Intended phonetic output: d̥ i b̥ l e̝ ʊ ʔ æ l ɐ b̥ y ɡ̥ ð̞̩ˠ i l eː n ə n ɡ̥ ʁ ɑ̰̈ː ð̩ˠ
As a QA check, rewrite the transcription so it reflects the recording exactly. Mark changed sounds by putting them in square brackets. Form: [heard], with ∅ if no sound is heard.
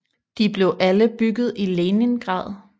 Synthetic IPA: d̥ i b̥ l e̝ ʊ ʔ æ l [ə] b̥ y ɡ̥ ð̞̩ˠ i l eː n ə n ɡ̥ ʁ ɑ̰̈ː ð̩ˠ